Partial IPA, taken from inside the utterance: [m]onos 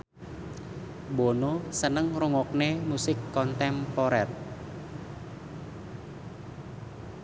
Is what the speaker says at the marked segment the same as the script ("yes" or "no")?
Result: no